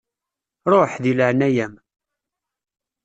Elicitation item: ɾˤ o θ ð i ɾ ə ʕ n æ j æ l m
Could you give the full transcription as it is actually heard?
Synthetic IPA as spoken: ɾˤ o ħ ð i l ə ʕ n æ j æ m